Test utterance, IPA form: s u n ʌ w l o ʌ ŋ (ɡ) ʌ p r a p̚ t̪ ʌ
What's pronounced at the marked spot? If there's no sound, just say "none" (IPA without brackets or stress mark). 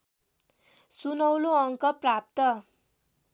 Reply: k